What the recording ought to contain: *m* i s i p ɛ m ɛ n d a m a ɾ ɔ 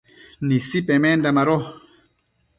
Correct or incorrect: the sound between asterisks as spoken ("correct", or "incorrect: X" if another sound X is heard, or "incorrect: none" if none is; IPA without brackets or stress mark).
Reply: incorrect: n